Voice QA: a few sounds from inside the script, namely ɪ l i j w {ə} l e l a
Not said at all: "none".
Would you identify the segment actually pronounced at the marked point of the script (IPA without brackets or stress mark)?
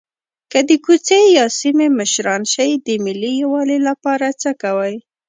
ɑ